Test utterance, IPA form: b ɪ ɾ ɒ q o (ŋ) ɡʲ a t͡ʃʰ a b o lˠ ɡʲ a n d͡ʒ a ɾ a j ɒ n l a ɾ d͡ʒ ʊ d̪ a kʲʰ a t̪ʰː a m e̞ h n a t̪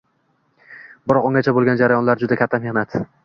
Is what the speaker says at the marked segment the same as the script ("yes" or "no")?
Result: yes